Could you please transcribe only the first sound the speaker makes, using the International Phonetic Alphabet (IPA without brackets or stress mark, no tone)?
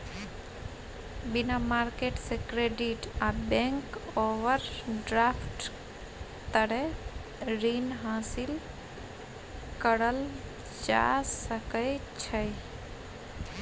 b